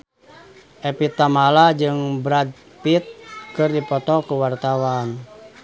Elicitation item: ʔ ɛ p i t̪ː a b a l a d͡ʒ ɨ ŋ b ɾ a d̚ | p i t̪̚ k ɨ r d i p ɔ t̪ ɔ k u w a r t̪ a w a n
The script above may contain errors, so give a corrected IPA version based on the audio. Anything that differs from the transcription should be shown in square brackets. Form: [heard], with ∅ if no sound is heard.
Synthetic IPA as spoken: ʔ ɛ p i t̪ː a [m] a l a d͡ʒ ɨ ŋ b ɾ a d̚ | p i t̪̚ k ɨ r d i p ɔ t̪ ɔ k u w a r t̪ a w a n